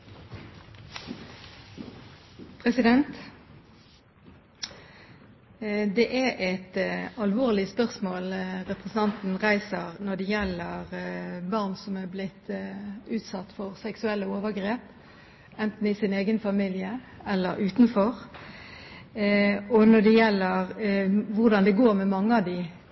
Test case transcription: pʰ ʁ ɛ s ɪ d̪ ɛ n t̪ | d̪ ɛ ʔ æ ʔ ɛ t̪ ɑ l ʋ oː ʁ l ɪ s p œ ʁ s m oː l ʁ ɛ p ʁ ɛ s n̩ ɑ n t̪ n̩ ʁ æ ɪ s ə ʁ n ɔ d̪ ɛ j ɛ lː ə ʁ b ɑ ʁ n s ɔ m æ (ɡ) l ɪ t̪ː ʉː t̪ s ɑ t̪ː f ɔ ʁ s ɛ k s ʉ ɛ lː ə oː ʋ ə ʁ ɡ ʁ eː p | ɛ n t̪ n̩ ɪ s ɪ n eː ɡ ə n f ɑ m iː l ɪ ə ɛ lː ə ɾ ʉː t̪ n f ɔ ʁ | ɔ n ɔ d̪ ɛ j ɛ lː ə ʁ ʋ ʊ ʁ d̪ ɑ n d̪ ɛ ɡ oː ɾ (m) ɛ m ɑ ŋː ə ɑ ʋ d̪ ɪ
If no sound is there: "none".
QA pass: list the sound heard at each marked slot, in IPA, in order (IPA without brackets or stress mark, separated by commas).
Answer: b, m